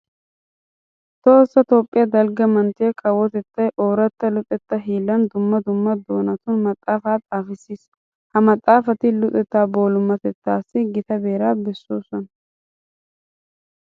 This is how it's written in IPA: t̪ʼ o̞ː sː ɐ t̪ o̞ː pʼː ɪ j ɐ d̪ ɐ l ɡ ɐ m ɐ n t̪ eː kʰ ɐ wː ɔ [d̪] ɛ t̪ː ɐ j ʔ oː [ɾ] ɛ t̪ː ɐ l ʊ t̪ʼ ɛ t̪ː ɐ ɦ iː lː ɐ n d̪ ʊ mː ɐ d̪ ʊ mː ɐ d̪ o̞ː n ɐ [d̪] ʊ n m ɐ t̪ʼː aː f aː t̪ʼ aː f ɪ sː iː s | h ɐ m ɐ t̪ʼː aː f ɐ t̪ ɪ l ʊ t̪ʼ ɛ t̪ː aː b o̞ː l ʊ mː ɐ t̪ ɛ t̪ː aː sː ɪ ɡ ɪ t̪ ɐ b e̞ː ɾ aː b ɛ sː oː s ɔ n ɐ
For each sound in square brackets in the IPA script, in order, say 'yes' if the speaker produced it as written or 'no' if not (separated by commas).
no, yes, no